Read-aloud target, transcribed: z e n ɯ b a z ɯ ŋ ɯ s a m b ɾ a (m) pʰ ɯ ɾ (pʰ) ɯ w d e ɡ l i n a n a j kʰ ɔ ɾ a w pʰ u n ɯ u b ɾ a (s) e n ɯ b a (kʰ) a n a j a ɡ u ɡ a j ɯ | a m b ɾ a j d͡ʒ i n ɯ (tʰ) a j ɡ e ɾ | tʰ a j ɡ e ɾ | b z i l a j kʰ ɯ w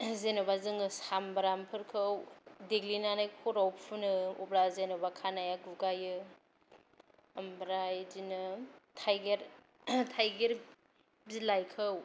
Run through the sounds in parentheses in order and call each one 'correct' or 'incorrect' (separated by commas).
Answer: correct, incorrect, incorrect, correct, correct